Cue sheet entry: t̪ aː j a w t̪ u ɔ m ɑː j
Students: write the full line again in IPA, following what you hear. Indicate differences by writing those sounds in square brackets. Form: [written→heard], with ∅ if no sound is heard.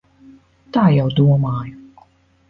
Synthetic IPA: t̪ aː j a w [t̪→d̪] u ɔ m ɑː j